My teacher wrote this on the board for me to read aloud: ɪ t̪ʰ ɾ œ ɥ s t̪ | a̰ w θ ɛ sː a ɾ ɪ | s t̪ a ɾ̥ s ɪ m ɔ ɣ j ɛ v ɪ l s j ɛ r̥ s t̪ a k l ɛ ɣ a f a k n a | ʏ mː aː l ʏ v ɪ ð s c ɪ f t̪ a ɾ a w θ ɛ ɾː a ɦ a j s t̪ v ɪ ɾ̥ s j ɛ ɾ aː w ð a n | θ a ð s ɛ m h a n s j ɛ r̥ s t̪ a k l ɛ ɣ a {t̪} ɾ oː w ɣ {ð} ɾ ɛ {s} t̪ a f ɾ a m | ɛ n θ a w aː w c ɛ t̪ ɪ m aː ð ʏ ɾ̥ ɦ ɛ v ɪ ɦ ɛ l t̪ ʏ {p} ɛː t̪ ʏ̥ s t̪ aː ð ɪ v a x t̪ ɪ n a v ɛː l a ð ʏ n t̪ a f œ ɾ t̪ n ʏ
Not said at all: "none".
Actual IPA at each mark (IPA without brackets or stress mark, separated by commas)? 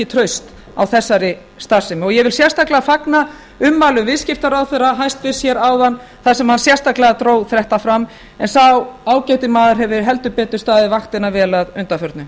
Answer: t̪, θ, h, p